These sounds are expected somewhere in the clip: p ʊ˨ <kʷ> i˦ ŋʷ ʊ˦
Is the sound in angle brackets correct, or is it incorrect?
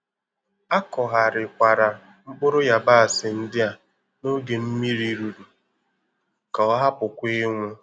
correct